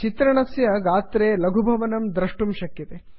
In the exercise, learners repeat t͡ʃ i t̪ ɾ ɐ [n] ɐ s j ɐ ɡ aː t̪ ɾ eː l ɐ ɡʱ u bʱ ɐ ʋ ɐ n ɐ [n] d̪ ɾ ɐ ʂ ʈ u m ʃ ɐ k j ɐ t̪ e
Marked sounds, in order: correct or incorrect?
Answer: incorrect, incorrect

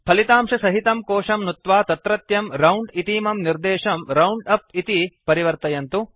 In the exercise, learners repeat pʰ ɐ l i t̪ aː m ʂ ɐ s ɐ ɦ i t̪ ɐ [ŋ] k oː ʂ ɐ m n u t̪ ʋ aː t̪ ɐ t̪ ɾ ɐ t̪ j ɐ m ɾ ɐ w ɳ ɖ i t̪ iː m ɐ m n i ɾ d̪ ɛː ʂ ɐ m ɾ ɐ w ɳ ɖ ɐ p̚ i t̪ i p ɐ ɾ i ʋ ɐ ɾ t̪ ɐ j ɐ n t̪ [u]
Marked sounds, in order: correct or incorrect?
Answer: incorrect, correct

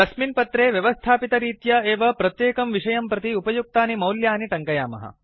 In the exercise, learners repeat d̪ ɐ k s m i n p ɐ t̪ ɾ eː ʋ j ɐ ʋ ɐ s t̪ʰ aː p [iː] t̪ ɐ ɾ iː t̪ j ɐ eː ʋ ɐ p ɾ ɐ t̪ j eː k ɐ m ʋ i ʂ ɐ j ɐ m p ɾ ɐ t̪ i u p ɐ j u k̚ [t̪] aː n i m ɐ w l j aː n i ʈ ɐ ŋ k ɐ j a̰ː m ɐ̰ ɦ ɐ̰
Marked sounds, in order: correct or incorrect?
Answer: incorrect, correct

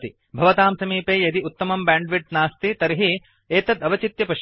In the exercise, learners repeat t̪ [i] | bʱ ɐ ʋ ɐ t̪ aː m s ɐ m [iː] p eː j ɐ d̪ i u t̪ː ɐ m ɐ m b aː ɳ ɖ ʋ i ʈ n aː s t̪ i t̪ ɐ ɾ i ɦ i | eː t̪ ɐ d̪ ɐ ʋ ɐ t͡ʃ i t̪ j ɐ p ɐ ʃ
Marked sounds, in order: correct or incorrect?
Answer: correct, correct

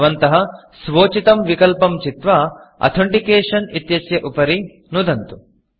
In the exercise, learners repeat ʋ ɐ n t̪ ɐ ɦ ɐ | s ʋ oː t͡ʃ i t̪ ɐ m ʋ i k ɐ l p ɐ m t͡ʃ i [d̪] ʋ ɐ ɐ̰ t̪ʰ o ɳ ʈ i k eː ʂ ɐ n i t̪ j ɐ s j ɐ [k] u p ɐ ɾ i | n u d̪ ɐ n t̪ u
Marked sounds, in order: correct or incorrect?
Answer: incorrect, incorrect

